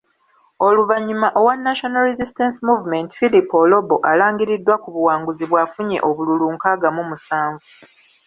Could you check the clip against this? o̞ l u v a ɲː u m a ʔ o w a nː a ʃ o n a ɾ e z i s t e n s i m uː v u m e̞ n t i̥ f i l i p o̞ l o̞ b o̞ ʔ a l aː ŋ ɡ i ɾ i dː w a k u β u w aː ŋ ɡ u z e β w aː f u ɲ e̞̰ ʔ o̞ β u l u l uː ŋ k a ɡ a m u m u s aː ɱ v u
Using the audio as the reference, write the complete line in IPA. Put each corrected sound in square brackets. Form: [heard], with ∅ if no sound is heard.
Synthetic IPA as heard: o̞ l u v a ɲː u m a ʔ o w a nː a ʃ o n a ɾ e z i s t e n s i m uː v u m e̞ n t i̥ f i l i p o̞ l o̞ b o̞ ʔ a l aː ŋ ɡ i ɾ i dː w a k u β u w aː ŋ ɡ u z [i] β w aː f u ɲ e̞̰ ʔ o̞ β u l u l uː ŋ k a ɡ a m u m u s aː ɱ v u

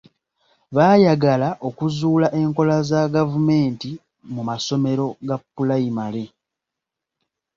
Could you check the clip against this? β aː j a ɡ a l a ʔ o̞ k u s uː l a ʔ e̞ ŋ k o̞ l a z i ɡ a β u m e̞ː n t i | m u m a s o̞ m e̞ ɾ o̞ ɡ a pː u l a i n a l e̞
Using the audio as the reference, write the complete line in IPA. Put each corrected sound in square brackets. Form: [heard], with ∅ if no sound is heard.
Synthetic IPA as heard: β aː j a ɡ a l a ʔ o̞ k u [z] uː l a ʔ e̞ ŋ k o̞ l a z [a] ɡ a [v] u m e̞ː n t i | m u m a s o̞ m e̞ ɾ o̞ ɡ a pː u l a i [m] a l e̞

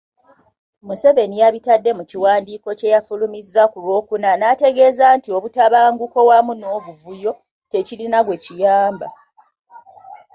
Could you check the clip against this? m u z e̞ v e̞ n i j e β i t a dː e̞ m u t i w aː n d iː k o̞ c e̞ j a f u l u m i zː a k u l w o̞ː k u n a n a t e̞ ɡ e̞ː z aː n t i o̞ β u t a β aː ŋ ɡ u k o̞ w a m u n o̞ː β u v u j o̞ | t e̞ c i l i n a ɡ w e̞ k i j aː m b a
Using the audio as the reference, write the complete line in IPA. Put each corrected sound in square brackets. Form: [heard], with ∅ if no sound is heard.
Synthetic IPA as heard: m u [s] e̞ v e̞ n i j [a] β i t a dː e̞ m u [c] i w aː n d iː k o̞ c e̞ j a f u l u m i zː a k u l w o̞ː k u n a n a t e̞ ɡ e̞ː z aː n t i o̞ β u t a β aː ŋ ɡ u k o̞ w a m u n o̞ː β u v u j o̞ | t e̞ c i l i n a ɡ w e̞ [c] i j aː m b a

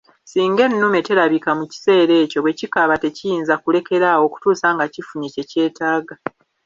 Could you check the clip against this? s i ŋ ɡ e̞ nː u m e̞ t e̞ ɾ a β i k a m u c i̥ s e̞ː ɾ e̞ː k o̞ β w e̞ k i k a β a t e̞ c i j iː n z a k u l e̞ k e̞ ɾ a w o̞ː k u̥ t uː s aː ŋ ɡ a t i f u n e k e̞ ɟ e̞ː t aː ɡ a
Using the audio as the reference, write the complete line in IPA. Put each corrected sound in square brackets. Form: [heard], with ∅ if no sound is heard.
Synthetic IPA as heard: s [iː] ŋ ɡ e̞ nː u m e̞ t e̞ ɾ a β i k a m u c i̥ s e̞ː ɾ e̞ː [c] o̞ β w e̞ [c] i k a β a t e̞ c i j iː n z a k u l e̞ k e̞ ɾ a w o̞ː k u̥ t uː s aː ŋ ɡ a [c] i f u [ɲ] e [c] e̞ [c] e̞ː t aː ɡ a

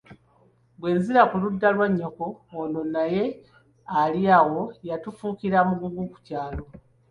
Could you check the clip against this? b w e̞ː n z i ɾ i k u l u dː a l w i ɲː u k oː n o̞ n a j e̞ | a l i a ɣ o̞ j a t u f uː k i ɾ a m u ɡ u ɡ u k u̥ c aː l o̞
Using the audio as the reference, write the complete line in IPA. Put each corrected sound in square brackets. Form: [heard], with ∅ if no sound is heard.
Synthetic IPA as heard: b w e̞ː n z i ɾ [a] k u l u dː a l w [a] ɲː [o] k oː n o̞ n a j e̞ | a l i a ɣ o̞ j a t u f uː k i ɾ a m u ɡ u ɡ u k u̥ c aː l o̞

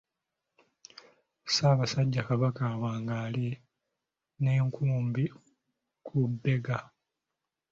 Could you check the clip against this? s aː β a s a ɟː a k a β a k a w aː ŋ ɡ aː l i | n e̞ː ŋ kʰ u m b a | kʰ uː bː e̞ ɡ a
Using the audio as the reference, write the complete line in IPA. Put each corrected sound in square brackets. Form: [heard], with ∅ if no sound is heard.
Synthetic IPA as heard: s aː β a s a ɟː a k a β a k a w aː ŋ ɡ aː l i | n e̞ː ŋ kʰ [uː] m b [i] | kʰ [u] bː e̞ ɡ a

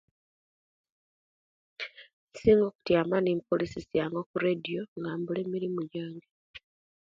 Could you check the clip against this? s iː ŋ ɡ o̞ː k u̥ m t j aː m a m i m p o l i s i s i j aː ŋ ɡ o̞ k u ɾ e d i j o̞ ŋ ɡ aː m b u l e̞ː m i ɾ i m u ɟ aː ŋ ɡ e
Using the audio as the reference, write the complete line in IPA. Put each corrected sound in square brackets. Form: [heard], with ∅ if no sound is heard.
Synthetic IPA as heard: s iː ŋ ɡ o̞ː k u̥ [∅] t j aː m a [n] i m p o l i s i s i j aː ŋ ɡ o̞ k u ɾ e d i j o̞ ŋ ɡ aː m b u l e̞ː m i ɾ i m u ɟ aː ŋ ɡ e

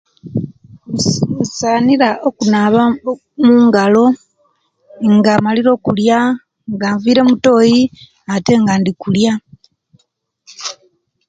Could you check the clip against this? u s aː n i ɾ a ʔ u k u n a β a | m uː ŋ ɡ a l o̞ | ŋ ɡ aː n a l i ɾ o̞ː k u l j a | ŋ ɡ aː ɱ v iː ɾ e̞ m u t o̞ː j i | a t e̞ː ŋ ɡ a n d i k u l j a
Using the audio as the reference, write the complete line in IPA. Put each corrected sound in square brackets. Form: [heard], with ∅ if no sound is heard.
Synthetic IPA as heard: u s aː n i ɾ a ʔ [o] k u n a β a | m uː ŋ ɡ a l o̞ | ŋ ɡ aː [m] a l i ɾ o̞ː k u l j a | ŋ ɡ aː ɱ v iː ɾ e̞ m u t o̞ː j i | a t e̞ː ŋ ɡ a n d i k u l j a

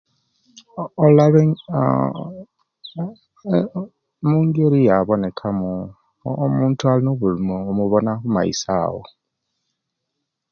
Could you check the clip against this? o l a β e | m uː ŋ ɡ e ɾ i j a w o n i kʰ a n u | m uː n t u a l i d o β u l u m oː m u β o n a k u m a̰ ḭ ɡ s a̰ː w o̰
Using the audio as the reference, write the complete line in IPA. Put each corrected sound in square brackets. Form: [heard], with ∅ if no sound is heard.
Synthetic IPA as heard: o l a β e | m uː ŋ ɡ e ɾ i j a [β] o n [e] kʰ a [m] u | m uː n t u a l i [n] o β u l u m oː m u β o n a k u m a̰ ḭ [∅] s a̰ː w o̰

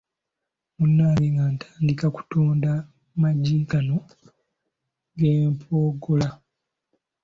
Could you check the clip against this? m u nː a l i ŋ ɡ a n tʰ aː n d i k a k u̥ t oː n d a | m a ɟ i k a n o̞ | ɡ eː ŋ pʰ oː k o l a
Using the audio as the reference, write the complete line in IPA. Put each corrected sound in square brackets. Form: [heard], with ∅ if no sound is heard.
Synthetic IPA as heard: m u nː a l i ŋ ɡ a n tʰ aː n d i k a k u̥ t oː n d a | m a ɟ i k a n o̞ | ɡ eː [m] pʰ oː [ɡ] o l a

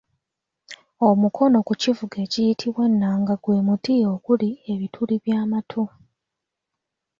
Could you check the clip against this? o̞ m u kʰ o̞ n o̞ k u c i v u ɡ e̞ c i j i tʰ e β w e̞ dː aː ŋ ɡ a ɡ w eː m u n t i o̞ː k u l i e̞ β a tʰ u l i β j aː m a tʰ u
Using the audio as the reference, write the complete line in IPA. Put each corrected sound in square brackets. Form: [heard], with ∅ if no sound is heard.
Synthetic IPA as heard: o̞ m u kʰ o̞ n o̞ k u c i v u ɡ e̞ c i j i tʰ [i] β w e̞ [nː] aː ŋ ɡ a ɡ w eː m u [∅] t i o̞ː k u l i e̞ β [i] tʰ u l i β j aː m a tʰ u

